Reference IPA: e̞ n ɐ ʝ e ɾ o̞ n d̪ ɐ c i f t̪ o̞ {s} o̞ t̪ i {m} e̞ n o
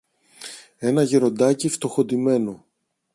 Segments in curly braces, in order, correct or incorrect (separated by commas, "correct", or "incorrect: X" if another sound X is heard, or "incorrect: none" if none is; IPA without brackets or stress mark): incorrect: x, correct